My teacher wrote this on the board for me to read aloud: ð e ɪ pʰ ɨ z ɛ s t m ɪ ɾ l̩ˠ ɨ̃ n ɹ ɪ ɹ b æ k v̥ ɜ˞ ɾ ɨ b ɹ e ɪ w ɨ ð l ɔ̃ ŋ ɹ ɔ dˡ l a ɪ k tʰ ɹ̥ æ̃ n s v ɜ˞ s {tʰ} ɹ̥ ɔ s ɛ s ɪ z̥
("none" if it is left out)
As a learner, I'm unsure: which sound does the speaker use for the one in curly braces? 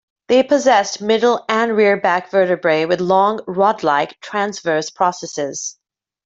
pʰ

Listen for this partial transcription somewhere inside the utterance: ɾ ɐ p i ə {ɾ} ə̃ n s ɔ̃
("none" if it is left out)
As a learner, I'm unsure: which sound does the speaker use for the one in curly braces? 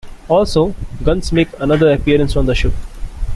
ɾ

